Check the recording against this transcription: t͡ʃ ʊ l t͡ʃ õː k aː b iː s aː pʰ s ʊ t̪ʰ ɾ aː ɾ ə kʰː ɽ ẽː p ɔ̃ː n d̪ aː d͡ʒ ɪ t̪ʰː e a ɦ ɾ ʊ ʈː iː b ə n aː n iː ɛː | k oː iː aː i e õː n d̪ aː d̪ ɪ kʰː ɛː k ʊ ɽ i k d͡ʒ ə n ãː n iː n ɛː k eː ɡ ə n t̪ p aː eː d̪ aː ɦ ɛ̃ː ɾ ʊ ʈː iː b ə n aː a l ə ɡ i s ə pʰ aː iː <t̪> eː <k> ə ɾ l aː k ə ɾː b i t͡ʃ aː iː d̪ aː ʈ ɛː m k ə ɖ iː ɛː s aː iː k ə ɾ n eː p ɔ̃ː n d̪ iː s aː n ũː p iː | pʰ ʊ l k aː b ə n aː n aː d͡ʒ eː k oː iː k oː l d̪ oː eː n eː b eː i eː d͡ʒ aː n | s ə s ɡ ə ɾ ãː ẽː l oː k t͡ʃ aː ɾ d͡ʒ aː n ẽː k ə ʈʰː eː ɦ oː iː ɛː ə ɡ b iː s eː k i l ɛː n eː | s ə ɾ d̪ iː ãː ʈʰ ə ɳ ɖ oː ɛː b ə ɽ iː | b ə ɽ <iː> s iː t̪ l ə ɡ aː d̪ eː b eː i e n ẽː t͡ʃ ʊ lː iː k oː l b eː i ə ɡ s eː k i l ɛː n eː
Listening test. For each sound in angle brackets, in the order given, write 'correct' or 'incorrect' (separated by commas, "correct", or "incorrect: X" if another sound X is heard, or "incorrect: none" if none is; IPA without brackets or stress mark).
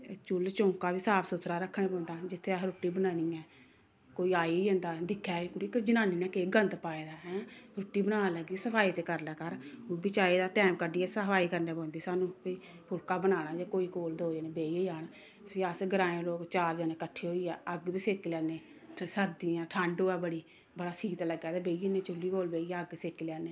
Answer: correct, correct, incorrect: aː